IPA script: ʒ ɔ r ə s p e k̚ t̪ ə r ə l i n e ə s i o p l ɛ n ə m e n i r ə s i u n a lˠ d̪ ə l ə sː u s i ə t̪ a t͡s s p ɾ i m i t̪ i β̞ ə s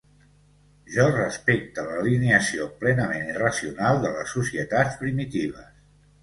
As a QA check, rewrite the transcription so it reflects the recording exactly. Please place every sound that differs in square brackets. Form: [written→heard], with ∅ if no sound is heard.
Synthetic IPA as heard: ʒ ɔ r ə s p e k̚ t̪ ə [r→l] ə l i n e ə s i o p l ɛ n ə m e n i r ə s i u n a lˠ d̪ ə l ə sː u s i ə t̪ a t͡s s p ɾ i m i t̪ i β̞ ə s